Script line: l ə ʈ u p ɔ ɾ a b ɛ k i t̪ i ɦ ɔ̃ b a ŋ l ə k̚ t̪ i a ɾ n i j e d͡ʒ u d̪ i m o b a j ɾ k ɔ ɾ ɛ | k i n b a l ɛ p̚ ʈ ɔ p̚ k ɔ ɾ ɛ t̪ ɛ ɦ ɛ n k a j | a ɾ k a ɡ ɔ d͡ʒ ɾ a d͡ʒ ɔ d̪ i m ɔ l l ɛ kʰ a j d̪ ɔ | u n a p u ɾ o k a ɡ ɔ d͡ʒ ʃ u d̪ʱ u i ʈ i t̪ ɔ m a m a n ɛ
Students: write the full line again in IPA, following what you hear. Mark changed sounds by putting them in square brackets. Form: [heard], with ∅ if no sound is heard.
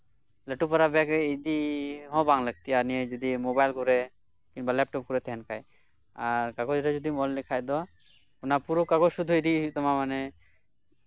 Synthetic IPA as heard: l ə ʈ u p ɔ ɾ a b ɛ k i [d̪] i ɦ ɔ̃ b a ŋ l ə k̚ t̪ i a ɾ n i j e d͡ʒ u d̪ i m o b a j [l] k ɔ ɾ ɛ | k i n b a l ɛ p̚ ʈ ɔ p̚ k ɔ ɾ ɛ t̪ ɛ ɦ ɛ n k a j | a ɾ k a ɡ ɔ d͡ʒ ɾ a d͡ʒ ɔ d̪ i m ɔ l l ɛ kʰ a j d̪ ɔ | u n a p u ɾ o k a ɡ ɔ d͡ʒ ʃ u d̪ʱ u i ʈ i t̪ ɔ m a m a n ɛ